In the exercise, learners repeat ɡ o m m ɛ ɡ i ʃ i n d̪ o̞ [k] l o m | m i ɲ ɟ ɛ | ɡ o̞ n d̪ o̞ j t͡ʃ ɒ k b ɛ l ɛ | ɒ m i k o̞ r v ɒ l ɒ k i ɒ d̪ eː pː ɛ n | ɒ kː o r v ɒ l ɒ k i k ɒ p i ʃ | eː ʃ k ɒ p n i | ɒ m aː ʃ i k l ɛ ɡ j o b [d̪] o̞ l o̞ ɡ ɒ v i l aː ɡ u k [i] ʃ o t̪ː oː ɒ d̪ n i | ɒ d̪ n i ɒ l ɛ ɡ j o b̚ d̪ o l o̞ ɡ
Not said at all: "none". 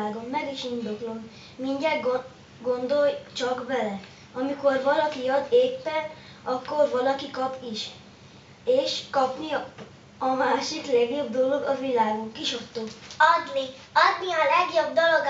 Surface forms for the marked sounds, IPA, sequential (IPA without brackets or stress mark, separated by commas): k, d̪, i